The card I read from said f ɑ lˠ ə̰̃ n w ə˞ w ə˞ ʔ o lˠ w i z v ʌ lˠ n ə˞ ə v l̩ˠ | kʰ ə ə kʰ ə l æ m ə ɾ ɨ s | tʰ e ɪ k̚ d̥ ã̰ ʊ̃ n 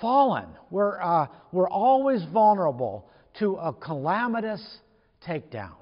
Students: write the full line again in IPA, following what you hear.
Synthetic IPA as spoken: f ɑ lˠ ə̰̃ n w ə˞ w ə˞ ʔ ɔ lˠ w i z v ʌ lˠ n ə˞ ə b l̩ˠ | tʰ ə ə kʰ ə l æ m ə ɾ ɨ s | tʰ e ɪ k̚ d̥ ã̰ ʊ̃ n